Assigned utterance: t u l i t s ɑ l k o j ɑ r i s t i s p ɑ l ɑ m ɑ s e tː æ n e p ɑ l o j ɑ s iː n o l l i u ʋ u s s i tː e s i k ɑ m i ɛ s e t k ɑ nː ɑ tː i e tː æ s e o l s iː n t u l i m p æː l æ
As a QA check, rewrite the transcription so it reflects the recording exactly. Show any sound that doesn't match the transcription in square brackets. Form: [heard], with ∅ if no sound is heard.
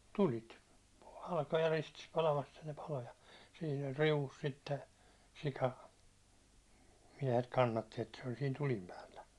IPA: t u l i t [h] ɑ l k o j ɑ r i s t i s p ɑ l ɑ m ɑ s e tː æ n e p ɑ l o j ɑ s iː n o l [r] i u ʋ u s s i tː e s i k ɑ m i ɛ [h] e t k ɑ nː ɑ tː i e tː æ s e o l s iː n t u l i m p æː [lː] æ